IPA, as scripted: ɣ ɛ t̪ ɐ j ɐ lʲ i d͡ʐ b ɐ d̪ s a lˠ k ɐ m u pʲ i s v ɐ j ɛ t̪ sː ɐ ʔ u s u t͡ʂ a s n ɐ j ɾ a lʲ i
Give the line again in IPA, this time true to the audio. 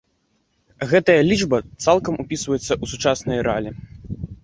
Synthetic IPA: ɣ ɛ t̪ ɐ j ɐ lʲ i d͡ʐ b ɐ t̪ s a lˠ k ɐ m u pʲ i s v ɐ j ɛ t̪ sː ɐ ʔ u s u t͡ʂ a s n ɐ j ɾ a lʲ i